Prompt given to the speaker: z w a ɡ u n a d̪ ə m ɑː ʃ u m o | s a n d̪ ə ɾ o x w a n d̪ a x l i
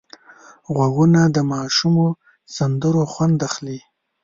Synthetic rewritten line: ɣ w a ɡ u n a d̪ ə m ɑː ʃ u m o | s a n d̪ ə ɾ o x w a n d̪ a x l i